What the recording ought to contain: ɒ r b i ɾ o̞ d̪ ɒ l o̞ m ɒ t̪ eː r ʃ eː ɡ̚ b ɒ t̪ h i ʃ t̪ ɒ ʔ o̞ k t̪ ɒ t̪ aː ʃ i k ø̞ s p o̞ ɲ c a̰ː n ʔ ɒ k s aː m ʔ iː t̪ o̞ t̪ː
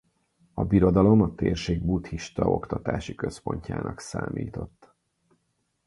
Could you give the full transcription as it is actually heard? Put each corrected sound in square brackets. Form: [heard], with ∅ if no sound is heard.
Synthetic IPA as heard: ɒ [∅] b i ɾ o̞ d̪ ɒ l o̞ m ɒ t̪ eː r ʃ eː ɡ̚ b [u] t̪ h i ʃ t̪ ɒ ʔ o̞ k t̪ ɒ t̪ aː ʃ i k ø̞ s p o̞ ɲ c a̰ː n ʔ ɒ k s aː m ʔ iː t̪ o̞ t̪ː